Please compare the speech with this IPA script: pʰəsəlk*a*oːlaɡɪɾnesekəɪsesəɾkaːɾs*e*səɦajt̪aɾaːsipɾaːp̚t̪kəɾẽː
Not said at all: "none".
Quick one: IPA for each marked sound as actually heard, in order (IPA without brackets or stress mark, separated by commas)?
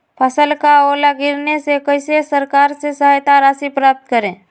a, e